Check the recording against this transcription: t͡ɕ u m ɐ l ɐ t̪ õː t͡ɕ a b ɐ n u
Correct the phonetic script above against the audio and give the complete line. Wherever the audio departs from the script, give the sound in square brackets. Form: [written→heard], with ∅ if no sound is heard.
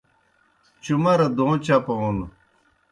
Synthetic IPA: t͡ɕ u m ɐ [l→ɾ] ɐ [t̪→d̪] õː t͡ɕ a [b→p] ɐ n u